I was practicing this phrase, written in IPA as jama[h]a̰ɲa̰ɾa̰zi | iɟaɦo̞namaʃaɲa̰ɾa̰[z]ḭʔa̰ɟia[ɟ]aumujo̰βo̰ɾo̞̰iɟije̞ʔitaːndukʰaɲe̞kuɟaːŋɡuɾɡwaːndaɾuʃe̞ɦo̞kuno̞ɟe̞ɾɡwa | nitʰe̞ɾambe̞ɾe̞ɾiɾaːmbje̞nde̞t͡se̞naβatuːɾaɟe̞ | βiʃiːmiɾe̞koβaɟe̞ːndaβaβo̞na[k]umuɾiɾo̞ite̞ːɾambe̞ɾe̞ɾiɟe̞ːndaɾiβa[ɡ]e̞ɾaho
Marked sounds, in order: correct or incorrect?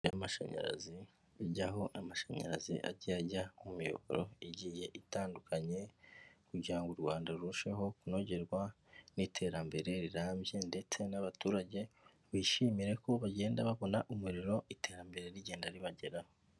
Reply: incorrect: ʃ, correct, correct, incorrect: ʔ, incorrect: ɟ

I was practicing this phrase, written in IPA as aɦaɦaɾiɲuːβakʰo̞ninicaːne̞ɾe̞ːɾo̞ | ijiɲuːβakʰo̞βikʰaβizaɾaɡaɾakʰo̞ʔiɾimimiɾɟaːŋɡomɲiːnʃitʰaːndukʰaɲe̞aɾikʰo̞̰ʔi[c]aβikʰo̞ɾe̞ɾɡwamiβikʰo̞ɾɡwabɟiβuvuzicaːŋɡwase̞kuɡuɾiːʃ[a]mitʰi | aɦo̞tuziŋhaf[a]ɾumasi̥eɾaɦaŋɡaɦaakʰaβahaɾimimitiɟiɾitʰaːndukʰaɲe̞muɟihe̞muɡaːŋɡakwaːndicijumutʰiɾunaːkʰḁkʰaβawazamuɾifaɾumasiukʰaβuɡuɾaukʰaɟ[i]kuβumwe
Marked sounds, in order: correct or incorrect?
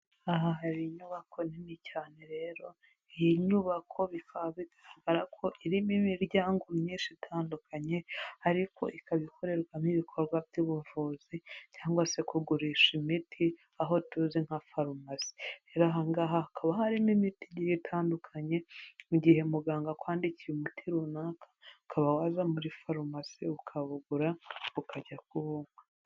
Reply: incorrect: k, incorrect: i, correct, incorrect: a

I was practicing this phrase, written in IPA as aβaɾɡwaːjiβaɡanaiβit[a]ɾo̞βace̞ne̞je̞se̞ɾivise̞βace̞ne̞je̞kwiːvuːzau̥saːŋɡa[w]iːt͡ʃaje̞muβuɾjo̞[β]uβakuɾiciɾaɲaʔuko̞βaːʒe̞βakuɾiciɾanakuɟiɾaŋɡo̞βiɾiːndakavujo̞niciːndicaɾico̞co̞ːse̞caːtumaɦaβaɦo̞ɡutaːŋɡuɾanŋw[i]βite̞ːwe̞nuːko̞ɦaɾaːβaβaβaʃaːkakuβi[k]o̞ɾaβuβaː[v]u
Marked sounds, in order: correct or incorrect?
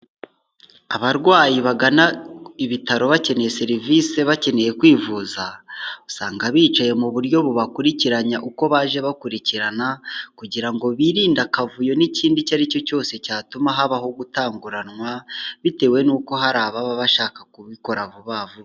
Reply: correct, incorrect: β, correct, incorrect: a, correct, correct

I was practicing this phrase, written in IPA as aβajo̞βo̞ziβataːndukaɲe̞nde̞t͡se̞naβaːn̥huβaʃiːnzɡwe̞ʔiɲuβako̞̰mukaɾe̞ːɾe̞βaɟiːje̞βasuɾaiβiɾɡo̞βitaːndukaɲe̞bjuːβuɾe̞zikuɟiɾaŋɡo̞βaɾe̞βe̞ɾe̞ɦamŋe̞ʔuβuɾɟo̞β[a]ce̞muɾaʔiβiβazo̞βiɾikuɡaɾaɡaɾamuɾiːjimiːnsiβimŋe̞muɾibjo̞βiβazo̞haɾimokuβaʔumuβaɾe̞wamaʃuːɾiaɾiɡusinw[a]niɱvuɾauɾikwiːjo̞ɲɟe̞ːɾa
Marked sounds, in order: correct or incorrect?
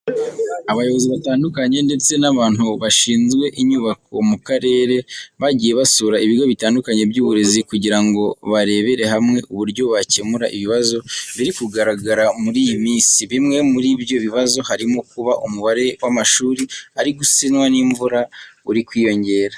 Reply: correct, correct

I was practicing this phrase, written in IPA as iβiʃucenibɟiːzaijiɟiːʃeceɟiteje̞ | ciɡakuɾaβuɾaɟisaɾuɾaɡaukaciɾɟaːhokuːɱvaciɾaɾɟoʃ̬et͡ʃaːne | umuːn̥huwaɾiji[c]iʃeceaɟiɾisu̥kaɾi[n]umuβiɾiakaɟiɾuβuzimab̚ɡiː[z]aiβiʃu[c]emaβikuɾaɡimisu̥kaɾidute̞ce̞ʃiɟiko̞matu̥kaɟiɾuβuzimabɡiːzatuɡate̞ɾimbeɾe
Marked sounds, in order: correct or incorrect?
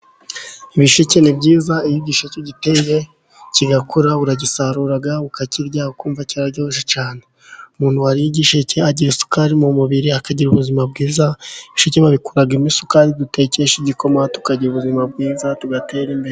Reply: incorrect: ɟ, incorrect: m, correct, correct

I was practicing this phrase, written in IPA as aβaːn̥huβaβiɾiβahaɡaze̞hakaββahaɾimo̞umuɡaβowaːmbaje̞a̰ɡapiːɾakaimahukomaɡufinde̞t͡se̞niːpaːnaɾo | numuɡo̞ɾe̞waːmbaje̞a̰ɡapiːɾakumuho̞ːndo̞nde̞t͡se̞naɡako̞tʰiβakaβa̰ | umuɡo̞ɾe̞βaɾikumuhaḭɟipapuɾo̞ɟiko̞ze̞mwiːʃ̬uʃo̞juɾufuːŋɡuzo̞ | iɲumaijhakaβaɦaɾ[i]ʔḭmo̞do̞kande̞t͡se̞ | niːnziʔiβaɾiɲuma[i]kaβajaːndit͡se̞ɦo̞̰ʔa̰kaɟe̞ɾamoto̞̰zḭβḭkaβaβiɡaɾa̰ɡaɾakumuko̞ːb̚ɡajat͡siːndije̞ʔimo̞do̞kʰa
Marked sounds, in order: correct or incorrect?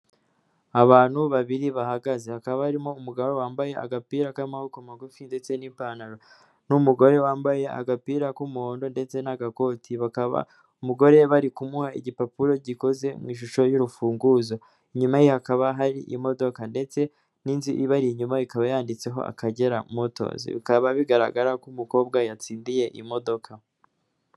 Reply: correct, correct

